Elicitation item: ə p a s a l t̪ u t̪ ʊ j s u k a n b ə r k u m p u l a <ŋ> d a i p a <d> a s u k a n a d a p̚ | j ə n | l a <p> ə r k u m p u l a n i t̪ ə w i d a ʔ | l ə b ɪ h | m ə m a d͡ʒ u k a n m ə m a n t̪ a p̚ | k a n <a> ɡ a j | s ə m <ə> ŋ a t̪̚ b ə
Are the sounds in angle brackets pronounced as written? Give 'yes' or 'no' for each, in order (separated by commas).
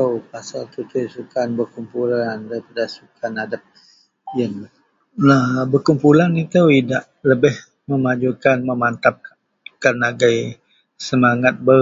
no, yes, no, yes, no